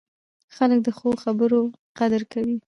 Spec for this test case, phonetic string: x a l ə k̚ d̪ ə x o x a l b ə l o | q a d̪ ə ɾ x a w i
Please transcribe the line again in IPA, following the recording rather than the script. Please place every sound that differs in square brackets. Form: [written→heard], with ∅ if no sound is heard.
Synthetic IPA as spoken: x a l ə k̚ d̪ ə x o x a [l→∅] b ə [l→ɾ] o | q a d̪ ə ɾ [x→k] a w i